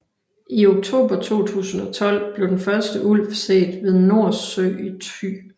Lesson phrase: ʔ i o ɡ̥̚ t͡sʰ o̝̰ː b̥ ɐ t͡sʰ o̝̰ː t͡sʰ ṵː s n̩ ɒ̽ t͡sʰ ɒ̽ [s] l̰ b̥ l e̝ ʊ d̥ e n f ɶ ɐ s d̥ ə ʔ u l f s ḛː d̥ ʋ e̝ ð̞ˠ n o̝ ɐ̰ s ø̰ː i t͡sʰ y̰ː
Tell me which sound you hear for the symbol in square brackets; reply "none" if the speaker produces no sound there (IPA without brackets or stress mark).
none